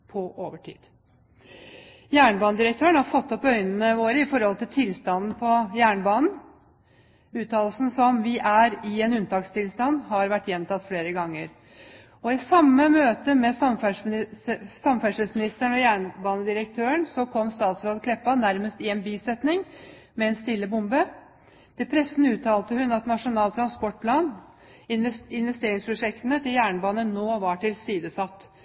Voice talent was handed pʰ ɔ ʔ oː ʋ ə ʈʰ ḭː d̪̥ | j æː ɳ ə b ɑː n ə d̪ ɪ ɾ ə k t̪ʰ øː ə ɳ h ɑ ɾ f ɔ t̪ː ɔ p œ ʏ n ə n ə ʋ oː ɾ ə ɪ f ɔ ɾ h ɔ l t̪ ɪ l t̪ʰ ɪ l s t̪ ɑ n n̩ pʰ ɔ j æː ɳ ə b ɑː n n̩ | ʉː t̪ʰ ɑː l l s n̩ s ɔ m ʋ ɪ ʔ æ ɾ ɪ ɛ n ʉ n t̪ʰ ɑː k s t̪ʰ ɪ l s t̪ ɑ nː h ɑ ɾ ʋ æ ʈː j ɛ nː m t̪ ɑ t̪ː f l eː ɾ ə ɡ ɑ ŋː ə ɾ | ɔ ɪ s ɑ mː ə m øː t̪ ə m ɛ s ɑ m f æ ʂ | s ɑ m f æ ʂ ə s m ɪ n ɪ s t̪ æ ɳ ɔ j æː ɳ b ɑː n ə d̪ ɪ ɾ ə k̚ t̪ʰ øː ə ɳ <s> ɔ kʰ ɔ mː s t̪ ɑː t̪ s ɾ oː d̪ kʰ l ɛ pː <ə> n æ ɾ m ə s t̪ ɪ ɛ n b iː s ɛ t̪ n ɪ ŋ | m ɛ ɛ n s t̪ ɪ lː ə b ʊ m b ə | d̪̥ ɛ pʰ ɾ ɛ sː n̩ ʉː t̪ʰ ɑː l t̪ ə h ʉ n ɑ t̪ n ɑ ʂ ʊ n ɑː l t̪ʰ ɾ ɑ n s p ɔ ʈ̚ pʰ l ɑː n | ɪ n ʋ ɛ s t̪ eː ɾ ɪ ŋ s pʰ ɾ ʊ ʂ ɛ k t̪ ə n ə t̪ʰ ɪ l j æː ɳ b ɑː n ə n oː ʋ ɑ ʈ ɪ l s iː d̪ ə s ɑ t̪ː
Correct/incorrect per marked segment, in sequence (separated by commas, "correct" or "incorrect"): correct, incorrect